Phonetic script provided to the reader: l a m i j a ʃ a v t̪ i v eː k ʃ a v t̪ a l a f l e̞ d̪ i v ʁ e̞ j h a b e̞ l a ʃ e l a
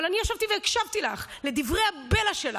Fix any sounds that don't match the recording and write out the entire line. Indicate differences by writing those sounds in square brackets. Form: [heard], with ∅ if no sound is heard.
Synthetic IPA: l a [n] i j a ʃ a v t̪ i v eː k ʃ a v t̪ [i] l a [χ] l e̞ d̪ i v ʁ e̞ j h a b e̞ l a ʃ e l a